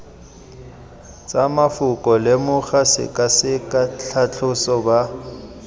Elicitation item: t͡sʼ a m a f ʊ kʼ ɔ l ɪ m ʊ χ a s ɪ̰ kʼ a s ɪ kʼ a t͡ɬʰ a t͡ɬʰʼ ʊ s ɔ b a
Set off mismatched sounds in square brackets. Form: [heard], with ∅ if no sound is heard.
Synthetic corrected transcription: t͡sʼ a m a f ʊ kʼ ɔ l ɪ m ʊ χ a s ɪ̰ kʼ a s ɪ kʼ a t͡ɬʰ a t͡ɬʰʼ ʊ s ɔ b a